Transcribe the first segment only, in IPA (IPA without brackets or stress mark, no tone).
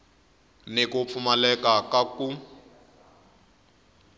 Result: n